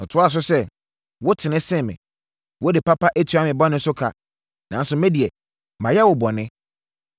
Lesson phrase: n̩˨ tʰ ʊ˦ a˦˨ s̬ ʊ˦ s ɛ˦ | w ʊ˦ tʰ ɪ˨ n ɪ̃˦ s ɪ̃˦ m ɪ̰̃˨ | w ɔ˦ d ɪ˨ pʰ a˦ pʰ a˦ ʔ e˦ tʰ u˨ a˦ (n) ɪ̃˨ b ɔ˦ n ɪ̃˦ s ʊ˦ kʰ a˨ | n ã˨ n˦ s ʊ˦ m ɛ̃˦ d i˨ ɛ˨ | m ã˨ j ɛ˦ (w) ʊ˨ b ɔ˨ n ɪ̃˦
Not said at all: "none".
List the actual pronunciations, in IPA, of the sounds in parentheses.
m, w

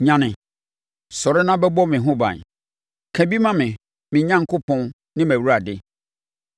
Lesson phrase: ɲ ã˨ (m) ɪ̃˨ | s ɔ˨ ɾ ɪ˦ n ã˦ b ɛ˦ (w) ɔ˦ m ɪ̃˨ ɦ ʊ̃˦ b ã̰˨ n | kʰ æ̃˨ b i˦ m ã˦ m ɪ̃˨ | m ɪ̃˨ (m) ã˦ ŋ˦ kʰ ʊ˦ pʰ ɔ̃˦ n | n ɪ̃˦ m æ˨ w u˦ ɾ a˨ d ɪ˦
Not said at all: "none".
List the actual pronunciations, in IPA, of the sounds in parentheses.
n, b, ɲ

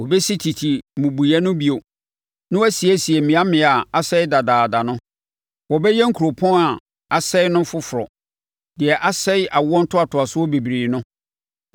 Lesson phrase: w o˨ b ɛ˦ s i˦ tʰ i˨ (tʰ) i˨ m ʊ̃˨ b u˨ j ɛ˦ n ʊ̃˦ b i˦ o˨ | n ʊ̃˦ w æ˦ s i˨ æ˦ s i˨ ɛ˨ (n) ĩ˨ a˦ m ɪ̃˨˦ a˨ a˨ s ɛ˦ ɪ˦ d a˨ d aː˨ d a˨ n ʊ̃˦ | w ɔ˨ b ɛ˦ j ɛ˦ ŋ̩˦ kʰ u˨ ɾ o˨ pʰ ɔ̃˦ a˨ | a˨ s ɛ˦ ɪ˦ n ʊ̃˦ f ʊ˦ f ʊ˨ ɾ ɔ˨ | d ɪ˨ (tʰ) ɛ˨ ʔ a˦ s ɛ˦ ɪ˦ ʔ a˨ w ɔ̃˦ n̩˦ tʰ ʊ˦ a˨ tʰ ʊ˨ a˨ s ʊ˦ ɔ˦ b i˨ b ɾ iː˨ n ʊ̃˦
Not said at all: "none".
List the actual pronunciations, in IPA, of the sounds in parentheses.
tʰ, m, none

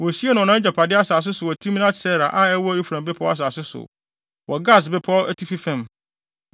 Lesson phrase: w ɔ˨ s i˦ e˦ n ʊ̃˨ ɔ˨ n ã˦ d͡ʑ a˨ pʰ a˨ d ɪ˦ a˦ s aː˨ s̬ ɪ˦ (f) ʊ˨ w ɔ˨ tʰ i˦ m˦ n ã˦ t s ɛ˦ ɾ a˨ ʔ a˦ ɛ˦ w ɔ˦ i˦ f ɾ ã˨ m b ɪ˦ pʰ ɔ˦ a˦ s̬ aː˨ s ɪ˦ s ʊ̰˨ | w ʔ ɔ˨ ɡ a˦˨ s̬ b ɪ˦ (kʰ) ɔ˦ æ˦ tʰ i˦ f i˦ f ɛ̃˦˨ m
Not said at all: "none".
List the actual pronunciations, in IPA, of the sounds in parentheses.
s, pʰ

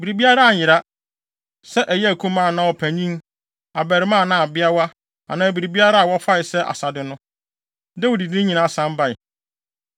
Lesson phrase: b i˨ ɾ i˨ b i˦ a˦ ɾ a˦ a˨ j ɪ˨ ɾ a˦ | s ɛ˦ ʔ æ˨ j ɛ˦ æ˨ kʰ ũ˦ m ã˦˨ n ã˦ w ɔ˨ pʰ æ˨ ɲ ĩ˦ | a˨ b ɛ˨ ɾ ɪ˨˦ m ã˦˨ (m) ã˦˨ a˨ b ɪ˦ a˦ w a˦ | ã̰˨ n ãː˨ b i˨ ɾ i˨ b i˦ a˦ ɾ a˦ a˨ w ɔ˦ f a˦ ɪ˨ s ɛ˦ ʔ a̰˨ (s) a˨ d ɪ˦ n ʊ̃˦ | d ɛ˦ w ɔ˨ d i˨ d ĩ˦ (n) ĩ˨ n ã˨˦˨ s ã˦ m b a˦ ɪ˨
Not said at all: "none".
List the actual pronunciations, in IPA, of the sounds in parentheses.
n, s, ɲ

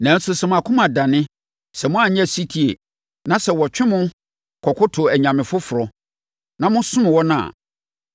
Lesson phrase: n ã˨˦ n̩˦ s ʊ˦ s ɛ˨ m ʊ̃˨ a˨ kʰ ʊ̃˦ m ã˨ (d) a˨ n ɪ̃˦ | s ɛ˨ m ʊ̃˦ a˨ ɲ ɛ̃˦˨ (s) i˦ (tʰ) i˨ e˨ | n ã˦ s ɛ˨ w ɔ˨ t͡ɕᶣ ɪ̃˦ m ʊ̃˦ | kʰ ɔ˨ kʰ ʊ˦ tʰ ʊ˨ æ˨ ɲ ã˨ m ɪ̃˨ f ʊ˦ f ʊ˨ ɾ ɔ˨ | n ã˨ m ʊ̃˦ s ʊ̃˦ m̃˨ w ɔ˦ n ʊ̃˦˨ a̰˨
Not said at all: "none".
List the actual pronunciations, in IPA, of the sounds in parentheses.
d, s, tʰ

